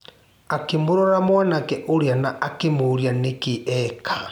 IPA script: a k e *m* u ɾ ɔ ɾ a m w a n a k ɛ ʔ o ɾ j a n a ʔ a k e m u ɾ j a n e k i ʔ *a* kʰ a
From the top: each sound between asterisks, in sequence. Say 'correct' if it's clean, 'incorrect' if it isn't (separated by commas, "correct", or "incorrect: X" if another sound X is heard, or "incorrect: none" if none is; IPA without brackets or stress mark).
correct, incorrect: ɛ